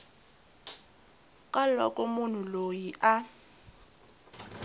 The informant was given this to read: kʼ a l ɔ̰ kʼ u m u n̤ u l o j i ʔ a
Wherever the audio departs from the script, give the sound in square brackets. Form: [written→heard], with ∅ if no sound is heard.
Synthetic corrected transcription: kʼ a l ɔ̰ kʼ [u→ɔ] m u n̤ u l o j i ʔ a